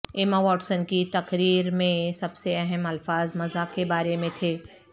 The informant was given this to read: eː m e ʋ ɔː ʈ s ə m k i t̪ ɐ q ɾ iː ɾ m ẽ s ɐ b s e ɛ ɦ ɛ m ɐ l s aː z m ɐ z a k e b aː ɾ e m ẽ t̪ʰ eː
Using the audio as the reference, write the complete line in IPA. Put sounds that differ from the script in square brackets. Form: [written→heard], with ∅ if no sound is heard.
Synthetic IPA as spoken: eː m [e→a] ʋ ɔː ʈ s ə [m→n] k i t̪ ɐ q ɾ iː ɾ m ẽ s ɐ b s e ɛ ɦ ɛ m ɐ l [s→f] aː z m ɐ z a k e b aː ɾ e m ẽ t̪ʰ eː